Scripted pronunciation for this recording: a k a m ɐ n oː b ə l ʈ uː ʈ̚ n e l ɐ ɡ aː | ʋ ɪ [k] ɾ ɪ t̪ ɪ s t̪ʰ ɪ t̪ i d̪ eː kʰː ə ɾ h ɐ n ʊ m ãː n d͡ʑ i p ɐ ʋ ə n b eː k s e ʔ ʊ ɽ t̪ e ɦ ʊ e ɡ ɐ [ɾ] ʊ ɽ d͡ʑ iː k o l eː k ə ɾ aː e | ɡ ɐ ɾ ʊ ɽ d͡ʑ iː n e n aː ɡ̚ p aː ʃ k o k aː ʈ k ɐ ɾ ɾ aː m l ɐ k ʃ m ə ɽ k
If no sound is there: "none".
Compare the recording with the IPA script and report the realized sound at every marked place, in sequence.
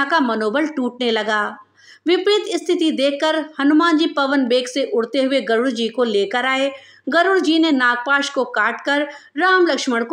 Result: p, ɾ

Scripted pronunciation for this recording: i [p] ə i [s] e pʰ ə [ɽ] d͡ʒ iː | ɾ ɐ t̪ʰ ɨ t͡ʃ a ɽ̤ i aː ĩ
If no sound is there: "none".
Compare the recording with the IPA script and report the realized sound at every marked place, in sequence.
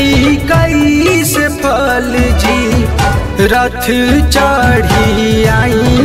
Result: k, s, l

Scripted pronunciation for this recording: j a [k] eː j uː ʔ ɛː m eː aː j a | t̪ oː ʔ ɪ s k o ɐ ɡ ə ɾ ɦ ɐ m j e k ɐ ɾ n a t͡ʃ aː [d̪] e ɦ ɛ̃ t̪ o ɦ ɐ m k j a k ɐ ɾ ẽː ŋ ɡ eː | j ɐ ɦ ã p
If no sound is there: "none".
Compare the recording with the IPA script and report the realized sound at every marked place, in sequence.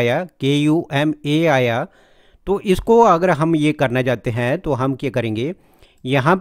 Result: k, t̪

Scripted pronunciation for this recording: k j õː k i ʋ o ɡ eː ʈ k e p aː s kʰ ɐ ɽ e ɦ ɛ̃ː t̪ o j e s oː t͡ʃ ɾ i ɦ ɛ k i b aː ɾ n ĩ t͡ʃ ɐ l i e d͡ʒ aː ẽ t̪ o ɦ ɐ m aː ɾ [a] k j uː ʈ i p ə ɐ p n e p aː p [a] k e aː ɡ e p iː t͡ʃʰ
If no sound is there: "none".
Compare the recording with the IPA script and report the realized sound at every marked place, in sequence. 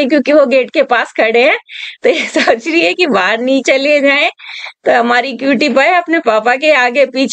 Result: i, a

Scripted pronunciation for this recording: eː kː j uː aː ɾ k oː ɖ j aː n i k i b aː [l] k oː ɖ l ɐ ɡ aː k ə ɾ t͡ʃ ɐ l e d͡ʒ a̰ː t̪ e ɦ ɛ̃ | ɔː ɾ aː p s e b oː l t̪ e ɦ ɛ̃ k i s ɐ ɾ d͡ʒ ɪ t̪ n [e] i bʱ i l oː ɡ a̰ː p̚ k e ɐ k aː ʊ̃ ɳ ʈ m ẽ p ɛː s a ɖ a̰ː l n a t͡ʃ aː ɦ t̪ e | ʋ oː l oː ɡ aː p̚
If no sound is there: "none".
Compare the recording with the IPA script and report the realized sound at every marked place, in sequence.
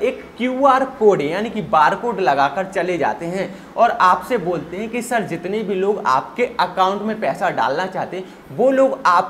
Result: ɾ, e

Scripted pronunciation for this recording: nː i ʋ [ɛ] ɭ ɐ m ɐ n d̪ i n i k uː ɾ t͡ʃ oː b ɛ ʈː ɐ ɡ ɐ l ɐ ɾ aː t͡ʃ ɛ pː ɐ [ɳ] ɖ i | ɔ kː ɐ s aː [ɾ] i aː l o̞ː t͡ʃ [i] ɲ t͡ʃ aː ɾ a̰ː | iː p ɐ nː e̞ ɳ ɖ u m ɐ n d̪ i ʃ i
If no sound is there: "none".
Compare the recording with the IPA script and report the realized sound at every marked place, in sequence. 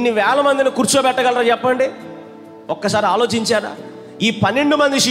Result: ɛː, ɳ, ɾ, i

